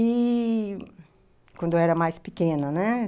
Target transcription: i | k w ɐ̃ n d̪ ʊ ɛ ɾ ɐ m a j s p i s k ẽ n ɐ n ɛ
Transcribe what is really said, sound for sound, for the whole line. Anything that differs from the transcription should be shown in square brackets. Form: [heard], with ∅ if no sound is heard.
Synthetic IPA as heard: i | k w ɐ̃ n d̪ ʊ ɛ ɾ ɐ m a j s p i [∅] k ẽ n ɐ n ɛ